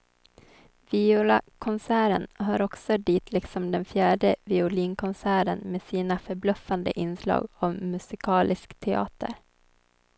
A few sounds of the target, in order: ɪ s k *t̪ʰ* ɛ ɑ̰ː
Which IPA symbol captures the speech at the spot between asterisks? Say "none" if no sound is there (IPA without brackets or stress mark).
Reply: t̪ʰ